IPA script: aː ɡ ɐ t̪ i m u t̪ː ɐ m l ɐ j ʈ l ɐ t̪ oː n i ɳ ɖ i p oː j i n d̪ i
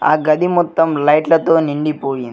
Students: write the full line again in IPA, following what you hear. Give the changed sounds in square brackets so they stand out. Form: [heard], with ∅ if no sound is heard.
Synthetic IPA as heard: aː ɡ ɐ [d̪] i m [ɔ] t̪ː ɐ m l ɐ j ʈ l ɐ t̪ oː n i ɳ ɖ i p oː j i n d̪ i